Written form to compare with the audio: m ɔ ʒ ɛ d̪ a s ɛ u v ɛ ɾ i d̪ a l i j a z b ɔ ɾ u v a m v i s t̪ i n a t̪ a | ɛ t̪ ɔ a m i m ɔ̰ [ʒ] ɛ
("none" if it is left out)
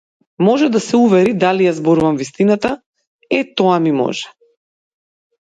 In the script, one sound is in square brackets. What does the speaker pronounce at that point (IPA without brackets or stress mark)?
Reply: ʒ